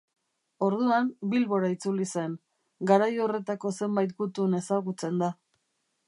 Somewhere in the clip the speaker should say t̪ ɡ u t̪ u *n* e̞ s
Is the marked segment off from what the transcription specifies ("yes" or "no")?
no